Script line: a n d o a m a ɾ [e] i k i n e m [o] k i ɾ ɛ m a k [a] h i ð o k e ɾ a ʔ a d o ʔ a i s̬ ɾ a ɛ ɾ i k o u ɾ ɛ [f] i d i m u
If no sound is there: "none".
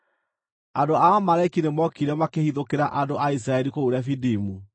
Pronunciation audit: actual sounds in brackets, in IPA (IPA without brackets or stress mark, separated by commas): a, ɔ, e, f